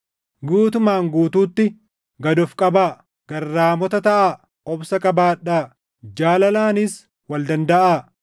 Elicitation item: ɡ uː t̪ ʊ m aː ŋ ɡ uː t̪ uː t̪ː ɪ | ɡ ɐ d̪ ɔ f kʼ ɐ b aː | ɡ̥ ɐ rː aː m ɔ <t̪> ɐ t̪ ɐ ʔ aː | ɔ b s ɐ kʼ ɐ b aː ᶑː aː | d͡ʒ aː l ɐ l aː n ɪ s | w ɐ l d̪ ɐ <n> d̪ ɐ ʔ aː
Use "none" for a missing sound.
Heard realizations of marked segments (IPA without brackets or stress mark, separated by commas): t̪, n